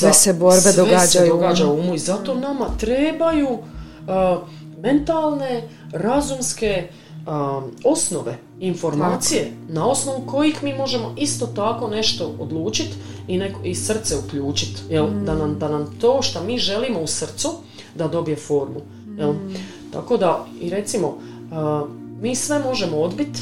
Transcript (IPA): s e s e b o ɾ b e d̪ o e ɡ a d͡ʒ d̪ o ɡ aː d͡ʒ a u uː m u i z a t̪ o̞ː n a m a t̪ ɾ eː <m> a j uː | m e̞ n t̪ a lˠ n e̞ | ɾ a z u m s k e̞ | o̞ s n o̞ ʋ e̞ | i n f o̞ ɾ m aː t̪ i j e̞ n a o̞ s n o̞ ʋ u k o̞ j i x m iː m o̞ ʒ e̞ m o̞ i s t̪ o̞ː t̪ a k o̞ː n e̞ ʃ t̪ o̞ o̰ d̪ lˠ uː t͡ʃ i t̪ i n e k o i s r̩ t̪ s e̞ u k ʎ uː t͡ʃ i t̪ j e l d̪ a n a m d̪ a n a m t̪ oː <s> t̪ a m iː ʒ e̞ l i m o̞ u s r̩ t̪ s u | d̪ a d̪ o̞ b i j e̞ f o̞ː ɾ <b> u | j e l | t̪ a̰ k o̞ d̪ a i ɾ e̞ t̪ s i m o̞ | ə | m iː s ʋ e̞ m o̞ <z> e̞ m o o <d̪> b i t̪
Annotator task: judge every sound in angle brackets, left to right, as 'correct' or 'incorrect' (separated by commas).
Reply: incorrect, incorrect, incorrect, incorrect, correct